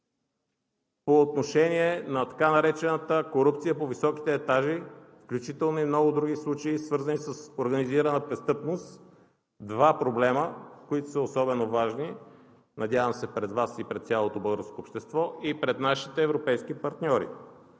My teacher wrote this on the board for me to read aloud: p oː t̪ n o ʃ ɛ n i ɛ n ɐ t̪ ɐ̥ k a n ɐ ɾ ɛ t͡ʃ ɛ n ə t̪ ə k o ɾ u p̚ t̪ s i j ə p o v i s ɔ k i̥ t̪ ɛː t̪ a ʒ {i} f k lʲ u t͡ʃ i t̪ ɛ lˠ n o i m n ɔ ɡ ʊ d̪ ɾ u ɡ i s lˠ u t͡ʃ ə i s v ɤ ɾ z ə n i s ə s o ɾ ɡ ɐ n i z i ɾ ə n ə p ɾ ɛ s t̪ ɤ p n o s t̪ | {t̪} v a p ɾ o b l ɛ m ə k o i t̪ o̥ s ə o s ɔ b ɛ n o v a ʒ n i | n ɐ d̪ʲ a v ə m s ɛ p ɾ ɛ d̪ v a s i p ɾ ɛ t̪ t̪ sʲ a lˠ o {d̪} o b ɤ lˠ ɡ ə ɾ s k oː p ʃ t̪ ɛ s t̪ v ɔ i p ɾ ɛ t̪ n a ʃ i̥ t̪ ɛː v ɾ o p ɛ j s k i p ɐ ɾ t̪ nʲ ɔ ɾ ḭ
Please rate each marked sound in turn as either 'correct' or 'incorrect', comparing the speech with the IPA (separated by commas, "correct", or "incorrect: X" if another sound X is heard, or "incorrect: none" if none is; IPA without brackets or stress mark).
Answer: correct, incorrect: d̪, incorrect: t̪